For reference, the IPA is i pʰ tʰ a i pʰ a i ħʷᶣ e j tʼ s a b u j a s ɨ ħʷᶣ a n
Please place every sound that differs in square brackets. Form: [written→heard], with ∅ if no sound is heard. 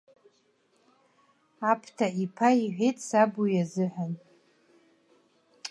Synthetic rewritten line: [i→a] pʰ tʰ a i pʰ a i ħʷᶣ e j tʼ s a b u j a [s→z] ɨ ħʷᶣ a n